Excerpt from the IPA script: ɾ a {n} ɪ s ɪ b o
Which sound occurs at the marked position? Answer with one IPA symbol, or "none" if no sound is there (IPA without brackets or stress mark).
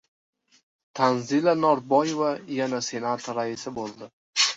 none